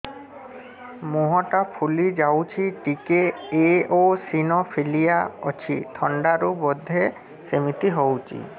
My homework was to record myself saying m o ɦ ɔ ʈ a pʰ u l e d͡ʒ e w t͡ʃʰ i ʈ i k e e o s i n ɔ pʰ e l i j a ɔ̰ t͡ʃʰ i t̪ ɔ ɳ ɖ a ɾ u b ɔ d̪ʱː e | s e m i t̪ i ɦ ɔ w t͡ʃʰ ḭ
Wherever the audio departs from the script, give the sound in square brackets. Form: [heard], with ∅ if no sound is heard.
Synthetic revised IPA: m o ɦ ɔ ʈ a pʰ u l [i] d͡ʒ [a] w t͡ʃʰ i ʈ i k e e o s i n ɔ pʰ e l i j a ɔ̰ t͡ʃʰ i [t̪ʰ] ɔ ɳ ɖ a ɾ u b ɔ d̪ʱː e | s e m i t̪ i ɦ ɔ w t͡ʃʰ ḭ